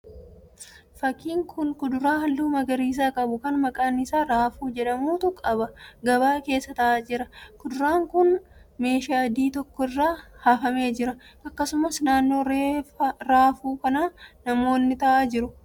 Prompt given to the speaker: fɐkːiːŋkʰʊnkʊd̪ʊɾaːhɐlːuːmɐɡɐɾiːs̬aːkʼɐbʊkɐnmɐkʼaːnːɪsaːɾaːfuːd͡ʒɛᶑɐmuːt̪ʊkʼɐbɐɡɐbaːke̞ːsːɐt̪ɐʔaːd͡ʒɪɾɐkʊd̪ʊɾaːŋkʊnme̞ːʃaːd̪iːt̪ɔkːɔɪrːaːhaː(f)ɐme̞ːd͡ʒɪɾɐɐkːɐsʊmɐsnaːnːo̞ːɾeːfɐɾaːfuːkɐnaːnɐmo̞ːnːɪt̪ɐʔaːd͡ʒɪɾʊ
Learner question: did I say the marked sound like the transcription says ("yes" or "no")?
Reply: yes